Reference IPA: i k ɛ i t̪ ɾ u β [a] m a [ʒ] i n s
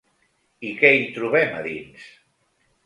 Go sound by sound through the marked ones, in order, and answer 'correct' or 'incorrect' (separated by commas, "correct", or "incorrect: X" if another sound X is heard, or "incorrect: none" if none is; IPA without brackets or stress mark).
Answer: incorrect: ɛ, incorrect: ð